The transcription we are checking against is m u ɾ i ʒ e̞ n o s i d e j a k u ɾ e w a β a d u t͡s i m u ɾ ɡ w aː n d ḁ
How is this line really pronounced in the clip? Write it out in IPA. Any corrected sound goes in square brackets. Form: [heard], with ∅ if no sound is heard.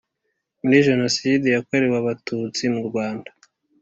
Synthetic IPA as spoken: m u ɾ i ʒ e̞ n o s i d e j a k [o] ɾ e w a β a [t] u t͡s i m u ɾ ɡ w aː n d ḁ

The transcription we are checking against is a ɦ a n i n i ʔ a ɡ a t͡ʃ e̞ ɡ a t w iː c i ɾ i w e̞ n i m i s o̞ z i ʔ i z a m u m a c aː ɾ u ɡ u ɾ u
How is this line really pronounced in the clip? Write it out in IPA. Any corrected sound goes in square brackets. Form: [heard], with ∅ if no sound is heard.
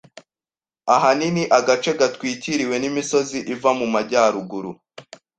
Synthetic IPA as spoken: a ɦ a n i n i ʔ a ɡ a t͡ʃ e̞ ɡ a t w iː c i ɾ i w e̞ n i m i s o̞ z i ʔ i [v] a m u m a [ɟ] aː ɾ u ɡ u ɾ u

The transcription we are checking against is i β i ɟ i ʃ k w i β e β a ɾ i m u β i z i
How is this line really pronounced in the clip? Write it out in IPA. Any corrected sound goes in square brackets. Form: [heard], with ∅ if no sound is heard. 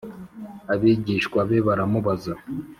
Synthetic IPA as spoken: [a] β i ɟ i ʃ k w [a] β e β a ɾ [a] m u β [a] z [a]

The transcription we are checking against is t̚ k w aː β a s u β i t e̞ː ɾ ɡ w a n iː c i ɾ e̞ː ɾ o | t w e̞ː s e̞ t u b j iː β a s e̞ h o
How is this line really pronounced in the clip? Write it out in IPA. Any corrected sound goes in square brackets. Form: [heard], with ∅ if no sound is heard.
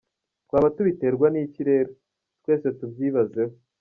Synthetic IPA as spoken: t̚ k w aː β a [t] u β i t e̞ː ɾ ɡ w a n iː c i ɾ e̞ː ɾ o | t w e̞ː s e̞ t u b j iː β a [z] e̞ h o

